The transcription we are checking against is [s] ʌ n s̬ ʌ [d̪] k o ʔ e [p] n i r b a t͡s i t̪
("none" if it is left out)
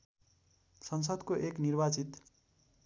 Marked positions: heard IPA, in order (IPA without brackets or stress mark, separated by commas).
s, d̪, k